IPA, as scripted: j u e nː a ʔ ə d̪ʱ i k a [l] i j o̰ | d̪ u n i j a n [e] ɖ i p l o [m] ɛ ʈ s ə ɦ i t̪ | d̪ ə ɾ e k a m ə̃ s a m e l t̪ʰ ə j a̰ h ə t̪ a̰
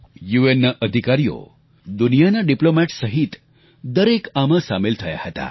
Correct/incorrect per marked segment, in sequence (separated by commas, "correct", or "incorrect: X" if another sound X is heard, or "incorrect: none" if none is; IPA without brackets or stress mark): incorrect: ɾ, incorrect: a, correct